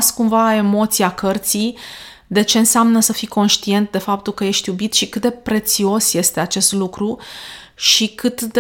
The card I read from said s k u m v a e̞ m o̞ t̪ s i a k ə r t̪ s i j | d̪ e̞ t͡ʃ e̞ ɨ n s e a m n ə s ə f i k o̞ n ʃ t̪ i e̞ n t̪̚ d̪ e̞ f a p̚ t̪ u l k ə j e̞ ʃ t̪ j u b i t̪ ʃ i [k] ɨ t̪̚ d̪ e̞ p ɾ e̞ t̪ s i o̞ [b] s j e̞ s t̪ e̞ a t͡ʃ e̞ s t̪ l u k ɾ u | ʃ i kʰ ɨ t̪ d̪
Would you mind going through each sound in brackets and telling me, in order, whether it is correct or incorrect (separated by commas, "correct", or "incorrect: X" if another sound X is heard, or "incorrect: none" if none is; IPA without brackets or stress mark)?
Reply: correct, incorrect: none